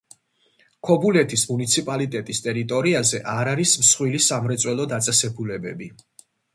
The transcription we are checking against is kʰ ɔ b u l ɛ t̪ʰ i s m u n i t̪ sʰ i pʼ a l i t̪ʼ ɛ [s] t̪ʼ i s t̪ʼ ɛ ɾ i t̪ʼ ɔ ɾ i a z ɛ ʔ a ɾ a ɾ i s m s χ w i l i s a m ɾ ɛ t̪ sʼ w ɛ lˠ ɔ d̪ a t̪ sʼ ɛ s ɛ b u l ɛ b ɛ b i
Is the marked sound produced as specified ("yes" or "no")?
no